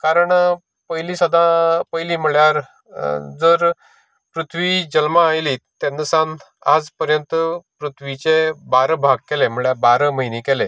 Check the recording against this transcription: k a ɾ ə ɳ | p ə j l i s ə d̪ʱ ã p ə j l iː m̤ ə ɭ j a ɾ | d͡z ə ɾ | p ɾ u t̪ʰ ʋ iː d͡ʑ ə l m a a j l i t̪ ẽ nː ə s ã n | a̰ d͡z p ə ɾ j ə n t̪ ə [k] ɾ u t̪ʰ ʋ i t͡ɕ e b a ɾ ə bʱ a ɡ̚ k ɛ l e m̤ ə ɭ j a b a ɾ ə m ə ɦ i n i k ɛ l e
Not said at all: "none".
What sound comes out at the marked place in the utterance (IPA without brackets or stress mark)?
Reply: p